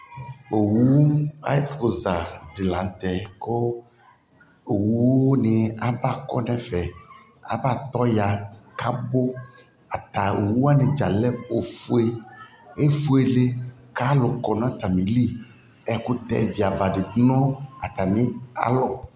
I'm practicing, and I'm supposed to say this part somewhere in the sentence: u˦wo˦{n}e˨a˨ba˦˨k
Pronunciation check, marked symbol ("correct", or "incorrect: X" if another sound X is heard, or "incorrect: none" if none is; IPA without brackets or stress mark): correct